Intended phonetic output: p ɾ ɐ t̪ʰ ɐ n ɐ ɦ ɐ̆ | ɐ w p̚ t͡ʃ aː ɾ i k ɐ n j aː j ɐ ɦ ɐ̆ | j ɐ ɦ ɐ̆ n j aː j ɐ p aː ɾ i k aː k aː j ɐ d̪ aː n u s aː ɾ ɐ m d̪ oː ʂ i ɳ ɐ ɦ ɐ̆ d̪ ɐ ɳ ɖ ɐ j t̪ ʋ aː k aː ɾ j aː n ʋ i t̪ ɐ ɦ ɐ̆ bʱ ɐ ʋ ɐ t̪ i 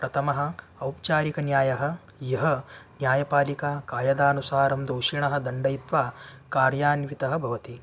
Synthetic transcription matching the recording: p ɾ ɐ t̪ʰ ɐ m ɐ ɦ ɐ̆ | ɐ w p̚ t͡ʃ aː ɾ i k ɐ n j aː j ɐ ɦ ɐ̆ | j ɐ ɦ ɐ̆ n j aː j ɐ p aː l i k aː k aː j ɐ d̪ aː n u s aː ɾ ɐ m d̪ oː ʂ i ɳ ɐ ɦ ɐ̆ d̪ ɐ ɳ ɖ ɐ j t̪ ʋ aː k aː ɾ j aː n ʋ i t̪ ɐ ɦ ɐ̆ bʱ ɐ ʋ ɐ t̪ i

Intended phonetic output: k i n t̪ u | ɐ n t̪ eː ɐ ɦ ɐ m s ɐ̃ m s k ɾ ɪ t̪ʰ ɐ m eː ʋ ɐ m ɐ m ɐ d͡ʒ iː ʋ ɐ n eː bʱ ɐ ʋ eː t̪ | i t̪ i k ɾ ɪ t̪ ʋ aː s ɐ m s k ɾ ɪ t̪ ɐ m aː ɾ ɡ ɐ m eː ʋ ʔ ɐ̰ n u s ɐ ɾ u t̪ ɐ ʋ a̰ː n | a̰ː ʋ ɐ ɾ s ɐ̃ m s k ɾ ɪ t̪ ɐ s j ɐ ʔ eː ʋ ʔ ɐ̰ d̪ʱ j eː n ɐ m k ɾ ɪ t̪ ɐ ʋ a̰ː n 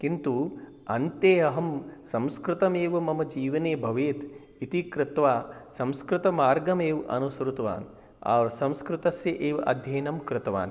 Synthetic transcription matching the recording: k i n t̪ u | ɐ n t̪ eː ɐ ɦ ɐ m s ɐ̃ m s k ɾ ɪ t̪ ɐ m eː ʋ ɐ m ɐ m ɐ d͡ʒ iː ʋ ɐ n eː bʱ ɐ ʋ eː t̪ | i t̪ i k ɾ ɪ t̪ ʋ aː s ɐ m s k ɾ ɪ t̪ ɐ m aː ɾ ɡ ɐ m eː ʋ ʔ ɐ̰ n u s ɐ ɾ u t̪ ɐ ʋ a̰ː n | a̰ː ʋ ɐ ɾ s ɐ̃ m s k ɾ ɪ t̪ ɐ s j ɐ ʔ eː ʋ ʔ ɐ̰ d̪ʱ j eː n ɐ m k ɾ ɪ t̪ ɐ ʋ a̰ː n

